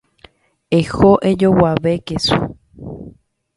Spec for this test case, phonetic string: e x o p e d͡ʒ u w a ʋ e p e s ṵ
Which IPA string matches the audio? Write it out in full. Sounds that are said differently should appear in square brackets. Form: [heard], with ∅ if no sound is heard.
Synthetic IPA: e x o [ʔ] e d͡ʒ [o] w a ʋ e [k] e s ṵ

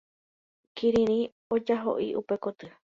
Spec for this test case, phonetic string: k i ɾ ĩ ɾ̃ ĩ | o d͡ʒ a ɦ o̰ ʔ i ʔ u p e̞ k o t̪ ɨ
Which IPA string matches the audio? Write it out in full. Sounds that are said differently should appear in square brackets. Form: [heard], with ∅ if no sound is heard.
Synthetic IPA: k i ɾ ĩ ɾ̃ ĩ | o d͡ʒ a ɦ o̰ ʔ i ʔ u p e̞ k o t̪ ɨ

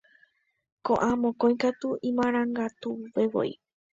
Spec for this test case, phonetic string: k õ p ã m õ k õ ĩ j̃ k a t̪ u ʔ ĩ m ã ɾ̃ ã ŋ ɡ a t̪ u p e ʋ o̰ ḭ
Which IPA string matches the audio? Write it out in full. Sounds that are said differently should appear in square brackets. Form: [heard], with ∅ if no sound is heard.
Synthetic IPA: k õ [ʔ] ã m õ k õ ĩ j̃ k a t̪ u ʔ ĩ m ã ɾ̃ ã ŋ ɡ a t̪ u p e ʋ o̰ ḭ

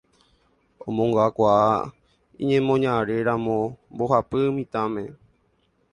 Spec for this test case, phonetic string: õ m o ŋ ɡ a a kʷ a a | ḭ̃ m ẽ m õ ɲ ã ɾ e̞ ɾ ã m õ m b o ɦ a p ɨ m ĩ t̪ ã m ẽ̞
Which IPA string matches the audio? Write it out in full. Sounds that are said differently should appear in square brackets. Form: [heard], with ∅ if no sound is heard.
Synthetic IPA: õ m [õ] ŋ ɡ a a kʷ a a | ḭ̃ [ɲ] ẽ m õ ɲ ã ɾ e̞ ɾ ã m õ m b o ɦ a p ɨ m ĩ t̪ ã m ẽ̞

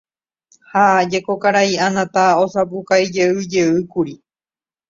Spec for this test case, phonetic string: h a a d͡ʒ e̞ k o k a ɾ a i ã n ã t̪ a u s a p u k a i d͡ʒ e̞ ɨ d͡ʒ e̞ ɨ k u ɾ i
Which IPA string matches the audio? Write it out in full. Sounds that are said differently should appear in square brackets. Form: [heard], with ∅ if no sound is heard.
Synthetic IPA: h a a d͡ʒ e̞ k o k a ɾ a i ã n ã t̪ a [o] s a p u k a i d͡ʒ e̞ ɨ d͡ʒ e̞ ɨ k u ɾ i

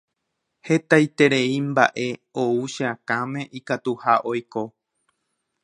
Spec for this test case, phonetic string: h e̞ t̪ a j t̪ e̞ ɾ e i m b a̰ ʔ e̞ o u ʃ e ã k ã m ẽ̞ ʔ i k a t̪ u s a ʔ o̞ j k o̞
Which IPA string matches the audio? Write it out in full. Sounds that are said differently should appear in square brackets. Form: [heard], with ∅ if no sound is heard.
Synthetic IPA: h e̞ t̪ a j t̪ e̞ ɾ e i m b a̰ ʔ e̞ o u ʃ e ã k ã m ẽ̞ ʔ i k a t̪ u [h] a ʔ o̞ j k o̞

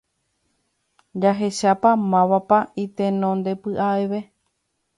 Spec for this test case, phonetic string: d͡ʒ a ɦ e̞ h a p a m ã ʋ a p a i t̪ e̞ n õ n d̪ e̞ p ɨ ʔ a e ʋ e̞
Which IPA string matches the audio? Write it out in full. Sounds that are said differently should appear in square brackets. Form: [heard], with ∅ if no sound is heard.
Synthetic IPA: d͡ʒ a ɦ e̞ [ʃ] a p a m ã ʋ a p a i t̪ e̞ n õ n d̪ e̞ p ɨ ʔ a e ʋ e̞

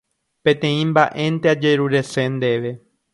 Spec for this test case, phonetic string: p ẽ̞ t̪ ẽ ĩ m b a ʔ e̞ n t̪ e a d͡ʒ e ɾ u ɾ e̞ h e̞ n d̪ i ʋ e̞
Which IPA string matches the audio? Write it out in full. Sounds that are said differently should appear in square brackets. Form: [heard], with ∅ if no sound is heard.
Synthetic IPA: p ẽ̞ t̪ ẽ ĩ m b a ʔ e̞ n t̪ e a d͡ʒ e ɾ u ɾ e̞ [s] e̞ n d̪ [e] ʋ e̞

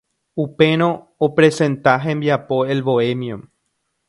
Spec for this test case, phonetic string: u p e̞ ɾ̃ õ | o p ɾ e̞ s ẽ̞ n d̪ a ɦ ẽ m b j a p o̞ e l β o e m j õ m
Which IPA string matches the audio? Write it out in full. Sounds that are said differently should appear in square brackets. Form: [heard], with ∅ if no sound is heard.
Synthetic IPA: u p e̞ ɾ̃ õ | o p ɾ e̞ s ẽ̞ n [t̪] a ɦ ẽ m b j a p o̞ e l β o e m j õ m

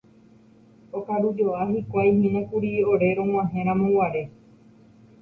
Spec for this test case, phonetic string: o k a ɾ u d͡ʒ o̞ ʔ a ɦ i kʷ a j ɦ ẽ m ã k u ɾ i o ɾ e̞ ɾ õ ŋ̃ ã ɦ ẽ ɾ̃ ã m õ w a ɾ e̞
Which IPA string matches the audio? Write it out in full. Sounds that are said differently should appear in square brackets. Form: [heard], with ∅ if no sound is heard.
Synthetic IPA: o k a ɾ u d͡ʒ o̞ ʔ a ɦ i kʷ a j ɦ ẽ [n] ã k u ɾ i o ɾ e̞ ɾ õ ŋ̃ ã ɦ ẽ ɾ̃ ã m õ w a ɾ e̞

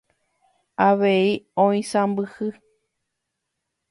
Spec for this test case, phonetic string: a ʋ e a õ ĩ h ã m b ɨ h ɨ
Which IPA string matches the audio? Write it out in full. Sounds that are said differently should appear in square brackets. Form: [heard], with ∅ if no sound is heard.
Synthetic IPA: a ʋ e [i] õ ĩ [s] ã m b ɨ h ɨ

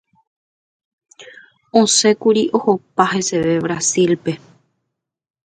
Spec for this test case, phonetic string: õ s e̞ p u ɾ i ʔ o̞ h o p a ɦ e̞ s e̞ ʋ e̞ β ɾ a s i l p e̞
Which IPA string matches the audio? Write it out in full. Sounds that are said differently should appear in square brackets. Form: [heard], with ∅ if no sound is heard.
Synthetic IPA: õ s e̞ [k] u ɾ i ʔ o̞ h o p a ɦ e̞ s e̞ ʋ e̞ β ɾ a s i l p e̞

